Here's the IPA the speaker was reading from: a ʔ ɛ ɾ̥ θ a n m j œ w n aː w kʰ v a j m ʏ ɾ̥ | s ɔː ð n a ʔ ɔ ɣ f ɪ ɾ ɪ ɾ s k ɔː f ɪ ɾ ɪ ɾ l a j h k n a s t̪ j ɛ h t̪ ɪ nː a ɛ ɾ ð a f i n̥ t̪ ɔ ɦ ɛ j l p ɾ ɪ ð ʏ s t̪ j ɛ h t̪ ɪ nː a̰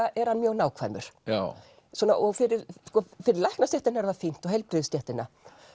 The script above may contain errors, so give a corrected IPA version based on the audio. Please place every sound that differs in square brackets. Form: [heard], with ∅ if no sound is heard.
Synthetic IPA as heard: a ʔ ɛ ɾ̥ [h] a n m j œ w n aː w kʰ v a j m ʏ ɾ̥ | s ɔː [∅] n a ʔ ɔ ɣ f ɪ ɾ ɪ ɾ s k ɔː f ɪ ɾ ɪ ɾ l a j h k n a s t̪ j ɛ h t̪ ɪ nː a ɛ ɾ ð a f i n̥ t̪ ɔ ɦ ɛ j l p ɾ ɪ ð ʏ s t̪ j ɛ h t̪ ɪ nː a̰